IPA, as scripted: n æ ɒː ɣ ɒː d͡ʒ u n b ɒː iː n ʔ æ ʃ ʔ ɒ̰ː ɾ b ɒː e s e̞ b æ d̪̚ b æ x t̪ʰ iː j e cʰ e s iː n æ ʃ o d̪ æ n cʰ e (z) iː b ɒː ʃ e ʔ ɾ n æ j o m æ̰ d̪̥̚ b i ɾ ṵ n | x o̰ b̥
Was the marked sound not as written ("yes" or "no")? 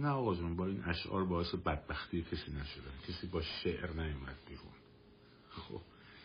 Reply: yes